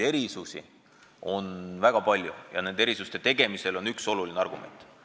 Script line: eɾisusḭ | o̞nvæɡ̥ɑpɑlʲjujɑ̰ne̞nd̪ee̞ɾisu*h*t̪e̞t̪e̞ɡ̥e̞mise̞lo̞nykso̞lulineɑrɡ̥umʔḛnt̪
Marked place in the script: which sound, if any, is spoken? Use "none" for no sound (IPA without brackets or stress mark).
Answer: s